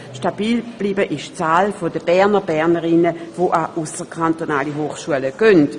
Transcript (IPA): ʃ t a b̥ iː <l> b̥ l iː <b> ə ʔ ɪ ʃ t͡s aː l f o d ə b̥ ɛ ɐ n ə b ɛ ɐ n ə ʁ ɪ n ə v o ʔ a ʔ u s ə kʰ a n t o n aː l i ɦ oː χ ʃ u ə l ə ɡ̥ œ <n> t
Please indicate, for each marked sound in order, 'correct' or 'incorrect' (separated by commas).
correct, correct, correct